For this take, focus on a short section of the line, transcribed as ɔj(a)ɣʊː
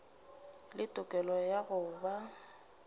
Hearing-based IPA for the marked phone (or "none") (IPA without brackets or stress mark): a